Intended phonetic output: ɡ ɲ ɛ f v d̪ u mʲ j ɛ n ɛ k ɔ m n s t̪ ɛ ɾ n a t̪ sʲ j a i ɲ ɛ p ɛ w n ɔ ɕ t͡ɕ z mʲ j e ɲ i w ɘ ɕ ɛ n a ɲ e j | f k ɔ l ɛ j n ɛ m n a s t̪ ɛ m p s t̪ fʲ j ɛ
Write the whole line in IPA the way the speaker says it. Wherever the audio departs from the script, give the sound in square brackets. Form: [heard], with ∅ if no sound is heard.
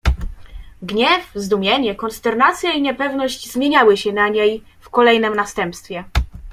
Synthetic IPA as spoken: ɡ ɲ ɛ f [z] d̪ u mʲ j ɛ [ɲ] ɛ k ɔ [∅] n s t̪ ɛ ɾ n a t̪ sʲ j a i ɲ ɛ p ɛ [v] n ɔ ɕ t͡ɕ z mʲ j e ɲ [a] w ɘ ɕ ɛ n a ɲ e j | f k ɔ l ɛ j n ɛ m n a s t̪ ɛ m p s t̪ fʲ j ɛ